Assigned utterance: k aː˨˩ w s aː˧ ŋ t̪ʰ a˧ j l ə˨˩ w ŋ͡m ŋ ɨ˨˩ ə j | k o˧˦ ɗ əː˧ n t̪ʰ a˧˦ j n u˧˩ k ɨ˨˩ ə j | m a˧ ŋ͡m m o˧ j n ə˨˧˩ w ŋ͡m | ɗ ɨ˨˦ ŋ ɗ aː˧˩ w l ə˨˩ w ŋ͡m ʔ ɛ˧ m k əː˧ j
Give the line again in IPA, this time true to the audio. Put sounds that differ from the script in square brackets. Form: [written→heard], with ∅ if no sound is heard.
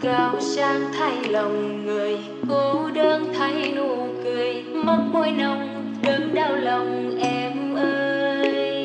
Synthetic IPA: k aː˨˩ w s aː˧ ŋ t̪ʰ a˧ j l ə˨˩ w ŋ͡m ŋ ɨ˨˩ ə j | k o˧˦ ɗ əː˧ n t̪ʰ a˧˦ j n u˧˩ k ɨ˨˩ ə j | m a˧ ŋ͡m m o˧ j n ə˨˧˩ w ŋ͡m | ɗ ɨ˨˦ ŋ ɗ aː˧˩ w l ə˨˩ w ŋ͡m ʔ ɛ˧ m [k→ʔ] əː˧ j